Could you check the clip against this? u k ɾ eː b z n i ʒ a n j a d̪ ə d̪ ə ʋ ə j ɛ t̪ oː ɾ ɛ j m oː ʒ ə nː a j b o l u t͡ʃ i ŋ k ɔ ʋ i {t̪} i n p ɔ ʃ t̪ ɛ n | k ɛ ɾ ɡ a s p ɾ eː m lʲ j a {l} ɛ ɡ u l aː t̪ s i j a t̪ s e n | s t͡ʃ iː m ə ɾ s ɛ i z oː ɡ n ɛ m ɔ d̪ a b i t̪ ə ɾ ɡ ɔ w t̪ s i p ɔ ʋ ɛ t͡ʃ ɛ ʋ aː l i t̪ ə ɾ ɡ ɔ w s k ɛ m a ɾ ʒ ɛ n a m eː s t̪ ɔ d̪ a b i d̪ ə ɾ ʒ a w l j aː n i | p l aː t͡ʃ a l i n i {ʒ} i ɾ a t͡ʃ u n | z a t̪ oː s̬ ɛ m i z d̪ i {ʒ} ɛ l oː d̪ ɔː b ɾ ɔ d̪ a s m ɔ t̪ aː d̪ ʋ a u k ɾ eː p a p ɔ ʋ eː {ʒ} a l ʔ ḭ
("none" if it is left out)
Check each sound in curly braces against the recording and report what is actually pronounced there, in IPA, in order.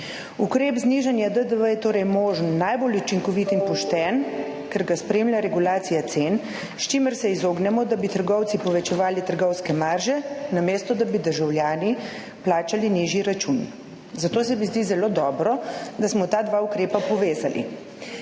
t̪, ɾ, ʒ, z, z

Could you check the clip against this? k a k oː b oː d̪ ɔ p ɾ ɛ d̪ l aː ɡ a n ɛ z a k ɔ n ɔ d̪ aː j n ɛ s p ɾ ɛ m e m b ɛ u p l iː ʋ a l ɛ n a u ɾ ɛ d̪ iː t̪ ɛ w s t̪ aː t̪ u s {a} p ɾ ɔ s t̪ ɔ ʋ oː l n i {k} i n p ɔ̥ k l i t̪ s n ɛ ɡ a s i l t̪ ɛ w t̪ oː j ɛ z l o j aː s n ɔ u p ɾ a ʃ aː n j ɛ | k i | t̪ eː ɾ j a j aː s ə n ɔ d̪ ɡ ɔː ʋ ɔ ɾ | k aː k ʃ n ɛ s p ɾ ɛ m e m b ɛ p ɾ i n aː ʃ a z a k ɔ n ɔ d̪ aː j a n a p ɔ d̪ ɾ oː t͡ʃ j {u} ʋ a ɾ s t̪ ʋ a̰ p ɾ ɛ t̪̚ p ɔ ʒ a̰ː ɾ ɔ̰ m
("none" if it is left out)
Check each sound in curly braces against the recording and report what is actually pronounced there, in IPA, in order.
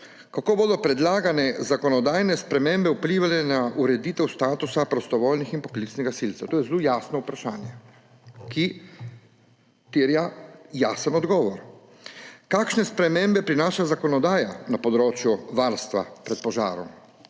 a, x, u

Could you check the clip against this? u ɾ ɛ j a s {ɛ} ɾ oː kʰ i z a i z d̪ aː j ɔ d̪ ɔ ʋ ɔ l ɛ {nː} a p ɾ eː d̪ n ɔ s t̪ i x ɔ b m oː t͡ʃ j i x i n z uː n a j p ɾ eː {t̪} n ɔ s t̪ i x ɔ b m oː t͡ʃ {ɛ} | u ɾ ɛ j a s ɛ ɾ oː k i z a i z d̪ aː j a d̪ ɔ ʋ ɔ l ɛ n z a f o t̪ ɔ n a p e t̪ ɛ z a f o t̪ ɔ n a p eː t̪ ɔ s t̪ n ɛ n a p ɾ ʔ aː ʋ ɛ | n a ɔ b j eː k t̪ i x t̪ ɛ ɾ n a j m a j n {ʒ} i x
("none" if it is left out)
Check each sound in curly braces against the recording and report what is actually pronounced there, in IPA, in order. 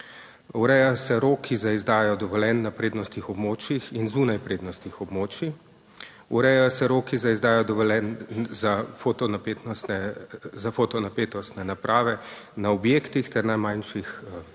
ɛ, nː, d̪, i, ʃ

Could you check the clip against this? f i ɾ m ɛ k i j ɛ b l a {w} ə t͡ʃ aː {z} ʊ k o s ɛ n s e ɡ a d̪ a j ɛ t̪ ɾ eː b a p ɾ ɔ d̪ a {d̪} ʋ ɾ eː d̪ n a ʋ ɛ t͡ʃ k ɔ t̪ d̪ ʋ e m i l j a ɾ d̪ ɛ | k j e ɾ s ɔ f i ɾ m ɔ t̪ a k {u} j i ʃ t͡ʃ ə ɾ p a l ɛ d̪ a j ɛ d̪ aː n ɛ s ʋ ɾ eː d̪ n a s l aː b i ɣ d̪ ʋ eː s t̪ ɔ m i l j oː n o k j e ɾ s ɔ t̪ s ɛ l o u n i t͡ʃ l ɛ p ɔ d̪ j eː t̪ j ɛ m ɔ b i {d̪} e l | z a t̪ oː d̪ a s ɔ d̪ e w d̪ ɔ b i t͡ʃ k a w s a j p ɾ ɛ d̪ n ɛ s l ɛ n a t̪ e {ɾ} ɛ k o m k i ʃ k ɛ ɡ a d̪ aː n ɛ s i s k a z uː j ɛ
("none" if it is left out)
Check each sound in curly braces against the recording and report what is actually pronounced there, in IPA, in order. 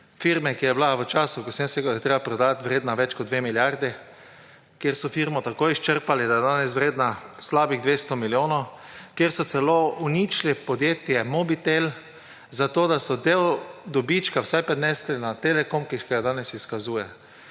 ʋ, s, t̪, o, t̪, l

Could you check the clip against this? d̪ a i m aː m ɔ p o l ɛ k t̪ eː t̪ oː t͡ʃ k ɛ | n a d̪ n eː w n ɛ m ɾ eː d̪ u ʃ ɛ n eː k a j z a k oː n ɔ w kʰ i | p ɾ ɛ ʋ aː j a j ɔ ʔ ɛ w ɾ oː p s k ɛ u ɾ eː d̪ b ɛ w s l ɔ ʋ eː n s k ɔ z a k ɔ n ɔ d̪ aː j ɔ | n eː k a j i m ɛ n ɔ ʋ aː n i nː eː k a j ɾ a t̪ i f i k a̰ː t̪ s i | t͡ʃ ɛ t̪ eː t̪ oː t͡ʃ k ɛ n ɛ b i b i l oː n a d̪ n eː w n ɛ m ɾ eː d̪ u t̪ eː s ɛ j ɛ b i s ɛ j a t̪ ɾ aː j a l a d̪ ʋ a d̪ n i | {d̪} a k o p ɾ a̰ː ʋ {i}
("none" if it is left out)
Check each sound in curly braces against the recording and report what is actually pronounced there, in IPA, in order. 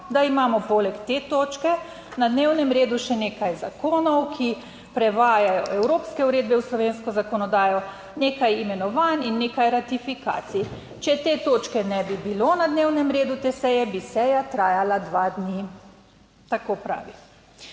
t̪, i

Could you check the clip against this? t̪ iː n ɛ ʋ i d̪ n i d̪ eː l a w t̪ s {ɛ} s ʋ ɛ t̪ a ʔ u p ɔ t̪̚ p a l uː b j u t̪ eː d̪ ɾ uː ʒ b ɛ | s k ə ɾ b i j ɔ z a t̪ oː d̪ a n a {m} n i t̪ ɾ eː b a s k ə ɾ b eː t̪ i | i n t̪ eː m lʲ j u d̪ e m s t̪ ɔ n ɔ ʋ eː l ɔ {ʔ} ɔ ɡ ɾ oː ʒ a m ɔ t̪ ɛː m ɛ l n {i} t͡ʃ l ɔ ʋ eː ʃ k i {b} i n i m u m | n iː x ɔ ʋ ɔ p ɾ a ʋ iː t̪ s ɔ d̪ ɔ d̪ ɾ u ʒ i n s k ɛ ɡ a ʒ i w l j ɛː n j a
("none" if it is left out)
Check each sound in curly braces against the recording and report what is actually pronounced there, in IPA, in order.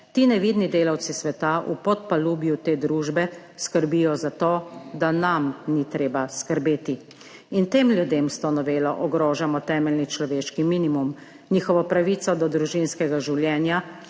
i, m, ʔ, i, m

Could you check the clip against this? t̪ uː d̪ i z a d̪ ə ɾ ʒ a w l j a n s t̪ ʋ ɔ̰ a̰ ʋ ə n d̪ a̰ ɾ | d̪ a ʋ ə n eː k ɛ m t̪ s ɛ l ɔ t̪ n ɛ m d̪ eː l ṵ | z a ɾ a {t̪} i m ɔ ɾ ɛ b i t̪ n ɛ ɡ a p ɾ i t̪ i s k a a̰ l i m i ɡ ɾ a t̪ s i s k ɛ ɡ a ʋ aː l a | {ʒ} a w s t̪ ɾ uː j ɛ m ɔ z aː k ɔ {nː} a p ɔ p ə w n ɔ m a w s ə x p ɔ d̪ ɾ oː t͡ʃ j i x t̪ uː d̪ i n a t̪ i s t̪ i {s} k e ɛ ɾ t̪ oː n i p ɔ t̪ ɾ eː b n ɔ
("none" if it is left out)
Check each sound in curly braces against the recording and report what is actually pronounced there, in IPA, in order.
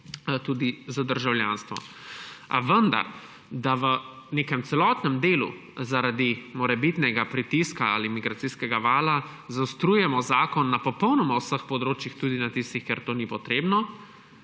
d̪, z, nː, x

